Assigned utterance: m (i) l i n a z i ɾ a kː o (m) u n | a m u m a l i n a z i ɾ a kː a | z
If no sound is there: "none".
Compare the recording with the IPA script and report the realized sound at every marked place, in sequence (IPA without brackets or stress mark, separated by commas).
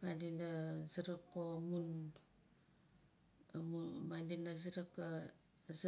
a, m